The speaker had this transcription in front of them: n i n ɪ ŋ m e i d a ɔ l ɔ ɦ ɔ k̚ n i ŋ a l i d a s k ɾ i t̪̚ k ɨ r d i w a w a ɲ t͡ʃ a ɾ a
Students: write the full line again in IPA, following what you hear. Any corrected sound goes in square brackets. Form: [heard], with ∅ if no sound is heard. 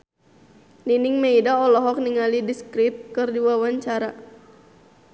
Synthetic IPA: n i n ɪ ŋ m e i d a ɔ l ɔ ɦ ɔ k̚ n i ŋ a l i d [i] s k ɾ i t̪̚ k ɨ r d i w a w a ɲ t͡ʃ a ɾ a